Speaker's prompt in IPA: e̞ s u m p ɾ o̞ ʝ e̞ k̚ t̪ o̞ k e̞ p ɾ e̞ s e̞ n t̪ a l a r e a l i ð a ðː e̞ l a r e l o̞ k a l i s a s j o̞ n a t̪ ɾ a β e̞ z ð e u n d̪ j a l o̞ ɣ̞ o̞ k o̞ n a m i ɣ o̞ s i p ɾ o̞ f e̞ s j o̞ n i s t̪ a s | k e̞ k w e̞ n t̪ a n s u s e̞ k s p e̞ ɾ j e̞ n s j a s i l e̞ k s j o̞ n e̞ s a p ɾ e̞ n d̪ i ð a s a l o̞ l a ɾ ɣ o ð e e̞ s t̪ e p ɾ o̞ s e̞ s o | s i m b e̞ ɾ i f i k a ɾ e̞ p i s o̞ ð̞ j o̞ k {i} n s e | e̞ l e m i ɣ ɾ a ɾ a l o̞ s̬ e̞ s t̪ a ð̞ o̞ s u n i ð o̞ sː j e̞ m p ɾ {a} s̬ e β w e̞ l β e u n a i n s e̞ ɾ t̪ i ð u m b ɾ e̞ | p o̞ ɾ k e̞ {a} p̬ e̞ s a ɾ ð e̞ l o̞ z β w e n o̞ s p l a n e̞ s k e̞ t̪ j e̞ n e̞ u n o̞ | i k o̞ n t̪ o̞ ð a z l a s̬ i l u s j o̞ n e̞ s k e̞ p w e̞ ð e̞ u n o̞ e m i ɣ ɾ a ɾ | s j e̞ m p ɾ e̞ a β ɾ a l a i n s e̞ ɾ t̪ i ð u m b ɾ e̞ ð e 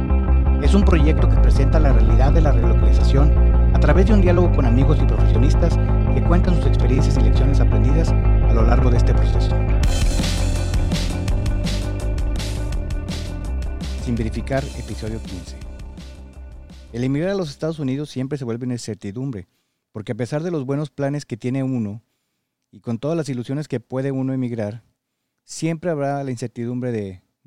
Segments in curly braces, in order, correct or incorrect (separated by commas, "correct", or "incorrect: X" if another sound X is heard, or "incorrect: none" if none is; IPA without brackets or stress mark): correct, incorrect: e, correct